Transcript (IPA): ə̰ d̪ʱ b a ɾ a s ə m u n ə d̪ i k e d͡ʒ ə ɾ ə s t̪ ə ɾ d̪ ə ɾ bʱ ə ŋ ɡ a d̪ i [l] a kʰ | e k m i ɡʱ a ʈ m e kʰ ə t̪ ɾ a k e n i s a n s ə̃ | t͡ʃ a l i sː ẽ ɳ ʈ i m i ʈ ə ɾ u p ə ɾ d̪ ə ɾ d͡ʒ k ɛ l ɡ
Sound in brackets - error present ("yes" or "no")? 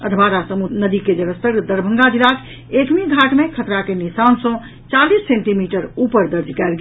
no